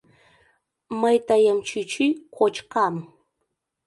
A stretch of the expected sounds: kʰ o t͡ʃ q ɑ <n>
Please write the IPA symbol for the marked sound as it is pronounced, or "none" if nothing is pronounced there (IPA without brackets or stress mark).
m